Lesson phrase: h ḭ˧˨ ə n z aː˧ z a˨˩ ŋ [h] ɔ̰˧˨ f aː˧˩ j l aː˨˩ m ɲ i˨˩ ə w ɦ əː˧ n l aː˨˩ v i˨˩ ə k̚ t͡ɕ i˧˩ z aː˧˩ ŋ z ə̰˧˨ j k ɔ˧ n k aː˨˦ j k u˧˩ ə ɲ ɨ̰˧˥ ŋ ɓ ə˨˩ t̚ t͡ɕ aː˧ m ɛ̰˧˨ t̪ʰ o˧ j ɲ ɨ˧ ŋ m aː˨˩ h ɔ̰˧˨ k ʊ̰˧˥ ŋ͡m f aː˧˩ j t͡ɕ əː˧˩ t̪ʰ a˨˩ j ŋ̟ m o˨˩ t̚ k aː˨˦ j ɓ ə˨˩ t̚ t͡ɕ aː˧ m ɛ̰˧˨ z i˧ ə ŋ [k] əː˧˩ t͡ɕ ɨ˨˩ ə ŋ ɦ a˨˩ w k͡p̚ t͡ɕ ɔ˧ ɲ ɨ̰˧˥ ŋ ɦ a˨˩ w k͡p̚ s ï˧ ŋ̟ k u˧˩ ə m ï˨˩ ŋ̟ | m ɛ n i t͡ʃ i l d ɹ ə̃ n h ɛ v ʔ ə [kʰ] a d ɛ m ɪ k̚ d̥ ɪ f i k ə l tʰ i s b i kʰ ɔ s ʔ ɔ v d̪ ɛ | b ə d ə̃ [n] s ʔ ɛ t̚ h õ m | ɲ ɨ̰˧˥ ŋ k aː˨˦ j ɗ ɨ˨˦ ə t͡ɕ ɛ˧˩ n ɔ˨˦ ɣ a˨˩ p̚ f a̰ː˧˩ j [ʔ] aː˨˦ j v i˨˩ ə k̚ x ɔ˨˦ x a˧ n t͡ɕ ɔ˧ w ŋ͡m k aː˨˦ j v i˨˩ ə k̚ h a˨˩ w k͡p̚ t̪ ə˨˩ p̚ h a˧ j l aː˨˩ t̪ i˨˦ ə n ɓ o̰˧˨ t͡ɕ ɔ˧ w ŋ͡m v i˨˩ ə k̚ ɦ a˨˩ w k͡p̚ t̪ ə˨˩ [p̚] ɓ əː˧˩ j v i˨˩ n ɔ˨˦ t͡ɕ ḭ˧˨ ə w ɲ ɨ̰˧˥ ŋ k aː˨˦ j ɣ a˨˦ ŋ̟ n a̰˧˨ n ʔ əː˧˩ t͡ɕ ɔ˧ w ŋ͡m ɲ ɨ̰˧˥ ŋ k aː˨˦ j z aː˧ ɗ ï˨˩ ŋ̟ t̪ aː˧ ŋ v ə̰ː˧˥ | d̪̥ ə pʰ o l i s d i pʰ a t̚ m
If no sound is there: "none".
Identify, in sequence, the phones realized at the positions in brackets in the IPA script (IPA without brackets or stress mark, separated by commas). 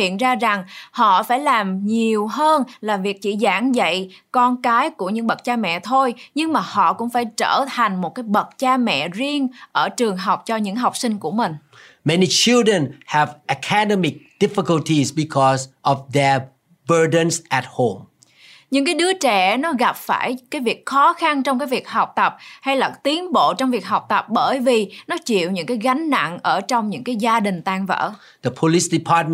h, ʔ, kʰ, n, k, p̚